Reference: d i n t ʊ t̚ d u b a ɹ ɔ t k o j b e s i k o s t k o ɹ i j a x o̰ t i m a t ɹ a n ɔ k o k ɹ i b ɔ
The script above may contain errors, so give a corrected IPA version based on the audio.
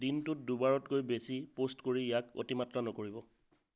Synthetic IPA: d i n t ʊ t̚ d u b a ɹ ɔ t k o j b e s i p o s t k o ɹ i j a k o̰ t i m a t ɹ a n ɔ k o ɹ i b ɔ